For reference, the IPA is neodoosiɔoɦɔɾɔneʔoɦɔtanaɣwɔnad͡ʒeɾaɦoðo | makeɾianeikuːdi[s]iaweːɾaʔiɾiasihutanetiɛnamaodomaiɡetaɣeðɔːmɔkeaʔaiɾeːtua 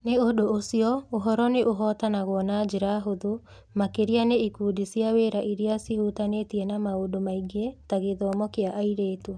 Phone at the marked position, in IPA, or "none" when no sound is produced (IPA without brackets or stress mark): s